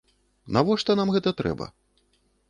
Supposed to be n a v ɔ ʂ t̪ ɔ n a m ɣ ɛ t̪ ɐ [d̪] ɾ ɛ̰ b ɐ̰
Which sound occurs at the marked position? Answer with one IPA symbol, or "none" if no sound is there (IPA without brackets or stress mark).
t̪